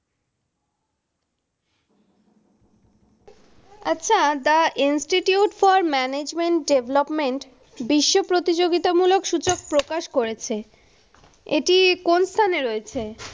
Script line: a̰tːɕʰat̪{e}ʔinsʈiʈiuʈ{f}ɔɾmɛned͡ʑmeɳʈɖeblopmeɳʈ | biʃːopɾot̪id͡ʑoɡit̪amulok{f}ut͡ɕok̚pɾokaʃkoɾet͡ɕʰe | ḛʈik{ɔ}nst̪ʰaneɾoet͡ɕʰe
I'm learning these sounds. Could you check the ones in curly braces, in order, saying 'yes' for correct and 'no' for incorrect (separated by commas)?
no, yes, no, no